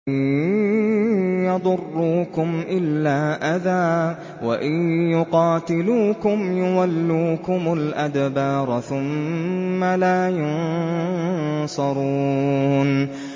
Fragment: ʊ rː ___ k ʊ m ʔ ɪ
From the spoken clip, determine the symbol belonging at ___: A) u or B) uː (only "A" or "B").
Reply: B